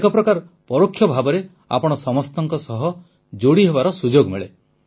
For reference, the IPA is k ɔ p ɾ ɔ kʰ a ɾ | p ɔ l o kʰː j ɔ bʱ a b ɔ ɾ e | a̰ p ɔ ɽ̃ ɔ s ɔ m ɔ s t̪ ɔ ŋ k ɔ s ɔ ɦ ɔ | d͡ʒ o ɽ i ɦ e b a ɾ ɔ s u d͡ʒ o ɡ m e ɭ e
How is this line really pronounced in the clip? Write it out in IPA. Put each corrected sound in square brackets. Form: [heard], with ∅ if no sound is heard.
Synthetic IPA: k ɔ p ɾ ɔ [k] a ɾ | p ɔ [ɾ] o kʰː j ɔ bʱ a b ɔ ɾ e | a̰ p ɔ ɽ̃ ɔ s ɔ m ɔ s t̪ ɔ ŋ k ɔ s ɔ ɦ ɔ | d͡ʒ o ɽ i ɦ e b a ɾ ɔ s u d͡ʒ o ɡ m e ɭ e